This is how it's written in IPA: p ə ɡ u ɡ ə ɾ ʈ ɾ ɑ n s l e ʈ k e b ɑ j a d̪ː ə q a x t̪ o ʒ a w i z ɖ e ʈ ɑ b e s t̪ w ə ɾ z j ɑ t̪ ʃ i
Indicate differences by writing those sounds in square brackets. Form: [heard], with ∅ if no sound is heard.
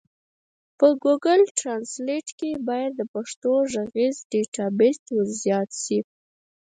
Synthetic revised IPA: p ə ɡ u ɡ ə [l] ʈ ɾ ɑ n s l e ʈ k e b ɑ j a d̪ː ə [p] a [ʂ] t̪ o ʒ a [ɣ] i z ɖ e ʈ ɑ b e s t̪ w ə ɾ z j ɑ t̪ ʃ i